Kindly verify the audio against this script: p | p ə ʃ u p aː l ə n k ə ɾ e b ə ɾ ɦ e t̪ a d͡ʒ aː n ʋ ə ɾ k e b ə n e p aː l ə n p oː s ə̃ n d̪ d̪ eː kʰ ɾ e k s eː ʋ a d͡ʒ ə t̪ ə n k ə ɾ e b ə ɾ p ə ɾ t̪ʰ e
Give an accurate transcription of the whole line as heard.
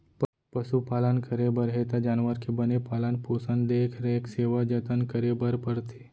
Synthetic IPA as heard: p | p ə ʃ u p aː l ə n k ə ɾ e b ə ɾ ɦ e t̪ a d͡ʒ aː n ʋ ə ɾ k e b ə n e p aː l ə n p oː s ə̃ n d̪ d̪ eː kʰ ɾ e k s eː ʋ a d͡ʒ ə t̪ ə n k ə ɾ e b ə ɾ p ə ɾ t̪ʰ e